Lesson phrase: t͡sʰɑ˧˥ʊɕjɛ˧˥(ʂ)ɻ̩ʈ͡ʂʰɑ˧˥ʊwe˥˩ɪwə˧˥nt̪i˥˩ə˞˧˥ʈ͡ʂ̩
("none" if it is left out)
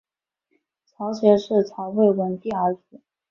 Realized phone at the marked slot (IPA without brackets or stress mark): ʂ